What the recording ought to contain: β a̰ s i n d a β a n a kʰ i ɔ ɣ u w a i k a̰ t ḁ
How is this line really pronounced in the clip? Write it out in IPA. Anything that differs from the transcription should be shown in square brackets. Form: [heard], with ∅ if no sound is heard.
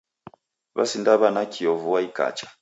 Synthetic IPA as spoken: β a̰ s i n d a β a n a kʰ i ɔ [v] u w a i k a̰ [t͡ʃ] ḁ